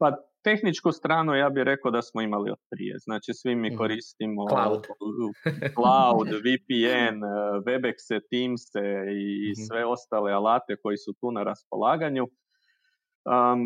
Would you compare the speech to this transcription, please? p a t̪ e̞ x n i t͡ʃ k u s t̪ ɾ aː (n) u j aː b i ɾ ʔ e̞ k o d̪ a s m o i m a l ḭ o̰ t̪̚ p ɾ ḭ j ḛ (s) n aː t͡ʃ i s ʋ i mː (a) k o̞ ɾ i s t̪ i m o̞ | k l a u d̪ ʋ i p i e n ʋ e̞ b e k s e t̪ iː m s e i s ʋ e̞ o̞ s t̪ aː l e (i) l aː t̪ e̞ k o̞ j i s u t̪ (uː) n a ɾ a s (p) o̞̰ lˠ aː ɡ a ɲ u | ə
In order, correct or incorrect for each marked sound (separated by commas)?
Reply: correct, incorrect, incorrect, incorrect, correct, correct